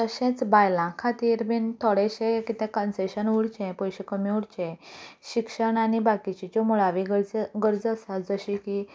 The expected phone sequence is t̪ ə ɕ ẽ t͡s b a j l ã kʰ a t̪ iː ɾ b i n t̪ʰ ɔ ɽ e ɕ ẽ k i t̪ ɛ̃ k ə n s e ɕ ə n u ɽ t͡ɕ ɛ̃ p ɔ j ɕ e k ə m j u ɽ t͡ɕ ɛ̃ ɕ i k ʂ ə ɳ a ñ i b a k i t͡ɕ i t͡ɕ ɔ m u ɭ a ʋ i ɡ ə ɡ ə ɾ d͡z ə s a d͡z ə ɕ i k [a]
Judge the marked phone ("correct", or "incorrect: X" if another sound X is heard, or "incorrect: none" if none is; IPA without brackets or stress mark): incorrect: i